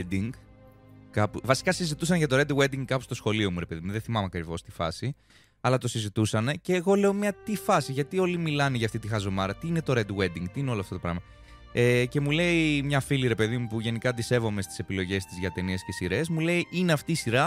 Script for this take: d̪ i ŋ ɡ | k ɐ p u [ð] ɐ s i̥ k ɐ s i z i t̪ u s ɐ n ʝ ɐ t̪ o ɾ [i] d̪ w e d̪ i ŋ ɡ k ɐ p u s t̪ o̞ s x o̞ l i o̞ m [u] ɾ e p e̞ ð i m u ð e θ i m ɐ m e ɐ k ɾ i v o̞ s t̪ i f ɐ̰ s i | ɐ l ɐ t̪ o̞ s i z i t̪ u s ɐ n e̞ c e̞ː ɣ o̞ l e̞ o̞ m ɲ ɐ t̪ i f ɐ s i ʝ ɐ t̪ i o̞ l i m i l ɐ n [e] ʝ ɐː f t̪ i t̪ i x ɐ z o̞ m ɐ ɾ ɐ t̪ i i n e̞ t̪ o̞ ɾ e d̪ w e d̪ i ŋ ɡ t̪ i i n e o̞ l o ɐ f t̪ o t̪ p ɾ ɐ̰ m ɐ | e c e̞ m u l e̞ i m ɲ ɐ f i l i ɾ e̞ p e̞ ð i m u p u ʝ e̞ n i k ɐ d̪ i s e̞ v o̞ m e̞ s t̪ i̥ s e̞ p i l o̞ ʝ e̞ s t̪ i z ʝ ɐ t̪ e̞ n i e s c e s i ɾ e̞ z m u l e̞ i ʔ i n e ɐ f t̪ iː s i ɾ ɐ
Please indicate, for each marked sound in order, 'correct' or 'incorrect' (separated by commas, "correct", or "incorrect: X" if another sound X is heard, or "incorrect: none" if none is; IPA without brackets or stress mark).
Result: incorrect: v, incorrect: e, correct, correct